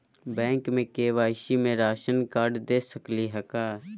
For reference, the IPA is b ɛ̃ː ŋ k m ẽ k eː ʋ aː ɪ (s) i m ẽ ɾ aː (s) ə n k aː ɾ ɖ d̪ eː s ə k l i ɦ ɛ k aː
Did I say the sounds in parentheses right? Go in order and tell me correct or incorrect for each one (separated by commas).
incorrect, incorrect